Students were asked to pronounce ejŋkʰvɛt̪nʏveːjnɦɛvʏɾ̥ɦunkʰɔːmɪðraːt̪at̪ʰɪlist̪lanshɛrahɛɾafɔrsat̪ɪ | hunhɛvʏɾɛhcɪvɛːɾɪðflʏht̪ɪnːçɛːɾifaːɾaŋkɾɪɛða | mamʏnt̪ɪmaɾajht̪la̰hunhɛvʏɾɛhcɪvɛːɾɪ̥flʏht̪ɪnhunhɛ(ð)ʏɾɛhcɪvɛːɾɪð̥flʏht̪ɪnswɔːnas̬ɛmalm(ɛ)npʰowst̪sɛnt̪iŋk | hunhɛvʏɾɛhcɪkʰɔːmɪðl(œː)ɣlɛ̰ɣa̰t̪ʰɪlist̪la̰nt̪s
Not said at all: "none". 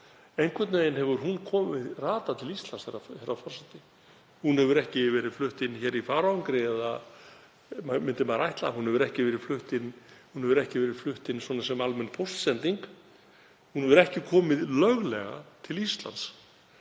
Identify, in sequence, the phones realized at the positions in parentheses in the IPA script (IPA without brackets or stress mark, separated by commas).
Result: v, ɛ, œ